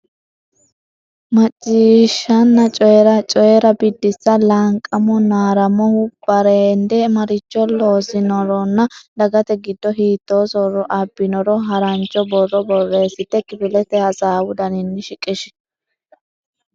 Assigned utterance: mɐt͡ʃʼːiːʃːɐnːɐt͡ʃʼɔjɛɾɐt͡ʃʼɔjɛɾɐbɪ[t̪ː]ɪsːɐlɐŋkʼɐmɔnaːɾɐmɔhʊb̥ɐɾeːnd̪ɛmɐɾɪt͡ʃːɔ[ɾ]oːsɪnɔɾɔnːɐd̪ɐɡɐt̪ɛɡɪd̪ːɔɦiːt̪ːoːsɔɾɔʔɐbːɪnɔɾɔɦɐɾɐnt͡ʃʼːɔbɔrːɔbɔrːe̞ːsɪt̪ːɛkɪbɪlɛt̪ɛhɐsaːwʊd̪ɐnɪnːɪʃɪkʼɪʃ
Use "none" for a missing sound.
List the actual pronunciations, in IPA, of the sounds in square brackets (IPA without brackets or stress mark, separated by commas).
d̪ː, l